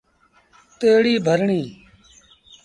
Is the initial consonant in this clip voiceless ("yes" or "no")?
yes